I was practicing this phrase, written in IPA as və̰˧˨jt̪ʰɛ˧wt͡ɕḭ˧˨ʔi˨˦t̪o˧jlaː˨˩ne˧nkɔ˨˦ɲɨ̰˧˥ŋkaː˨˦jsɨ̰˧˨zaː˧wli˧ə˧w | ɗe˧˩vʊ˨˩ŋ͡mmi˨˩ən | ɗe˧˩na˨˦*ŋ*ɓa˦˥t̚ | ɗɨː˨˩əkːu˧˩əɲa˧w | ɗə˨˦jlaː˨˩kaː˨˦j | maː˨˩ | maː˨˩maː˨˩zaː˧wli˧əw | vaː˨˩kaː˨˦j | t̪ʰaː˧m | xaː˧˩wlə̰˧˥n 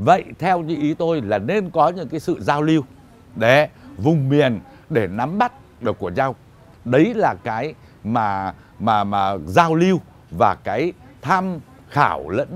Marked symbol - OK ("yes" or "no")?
no